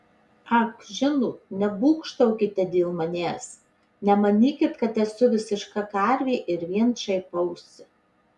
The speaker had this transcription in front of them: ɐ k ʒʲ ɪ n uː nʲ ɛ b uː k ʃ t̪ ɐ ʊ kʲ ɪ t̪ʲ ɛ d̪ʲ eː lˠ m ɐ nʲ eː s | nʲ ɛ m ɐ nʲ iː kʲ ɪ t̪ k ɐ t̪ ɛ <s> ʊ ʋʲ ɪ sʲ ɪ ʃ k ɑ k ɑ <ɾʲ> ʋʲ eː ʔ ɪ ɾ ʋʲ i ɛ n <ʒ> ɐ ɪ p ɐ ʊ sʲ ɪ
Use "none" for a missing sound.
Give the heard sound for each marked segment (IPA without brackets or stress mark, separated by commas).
s, ɾʲ, ʃ